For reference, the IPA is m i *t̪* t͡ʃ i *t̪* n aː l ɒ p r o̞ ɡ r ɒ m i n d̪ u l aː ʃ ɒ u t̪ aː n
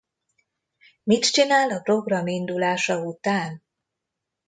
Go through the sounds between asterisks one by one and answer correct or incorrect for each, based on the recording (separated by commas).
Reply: correct, incorrect